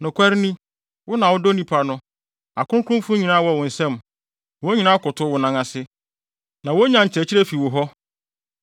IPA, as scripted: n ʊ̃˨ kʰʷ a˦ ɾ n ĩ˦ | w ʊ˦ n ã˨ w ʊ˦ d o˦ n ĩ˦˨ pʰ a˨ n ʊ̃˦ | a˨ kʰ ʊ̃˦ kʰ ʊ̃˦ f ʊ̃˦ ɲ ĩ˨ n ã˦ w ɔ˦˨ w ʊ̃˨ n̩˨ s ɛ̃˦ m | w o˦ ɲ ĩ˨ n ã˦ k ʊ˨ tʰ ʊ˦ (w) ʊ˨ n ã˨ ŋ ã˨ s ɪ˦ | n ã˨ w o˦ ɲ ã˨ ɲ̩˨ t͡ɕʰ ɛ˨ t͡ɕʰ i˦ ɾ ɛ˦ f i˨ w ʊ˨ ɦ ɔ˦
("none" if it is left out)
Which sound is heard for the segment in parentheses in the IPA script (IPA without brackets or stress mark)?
w